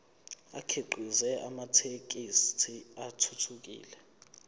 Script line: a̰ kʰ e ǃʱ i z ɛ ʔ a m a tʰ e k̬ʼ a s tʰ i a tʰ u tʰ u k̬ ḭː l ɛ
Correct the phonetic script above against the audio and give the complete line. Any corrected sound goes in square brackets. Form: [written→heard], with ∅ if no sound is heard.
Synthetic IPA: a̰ kʰ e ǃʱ i z ɛ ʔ a m a tʰ e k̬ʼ [a→i] s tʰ i a tʰ u tʰ u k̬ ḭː l ɛ